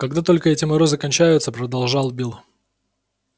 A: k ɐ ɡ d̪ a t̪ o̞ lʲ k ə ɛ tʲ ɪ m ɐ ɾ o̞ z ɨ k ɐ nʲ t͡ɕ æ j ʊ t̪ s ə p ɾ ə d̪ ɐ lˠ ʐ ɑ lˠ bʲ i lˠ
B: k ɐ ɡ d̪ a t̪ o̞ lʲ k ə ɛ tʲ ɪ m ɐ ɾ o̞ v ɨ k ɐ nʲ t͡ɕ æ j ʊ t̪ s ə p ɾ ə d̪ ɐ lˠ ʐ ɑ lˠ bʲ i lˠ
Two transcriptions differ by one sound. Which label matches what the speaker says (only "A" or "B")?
A